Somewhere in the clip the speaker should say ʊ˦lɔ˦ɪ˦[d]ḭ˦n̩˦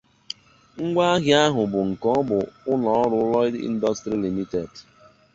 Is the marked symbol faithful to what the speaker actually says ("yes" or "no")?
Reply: yes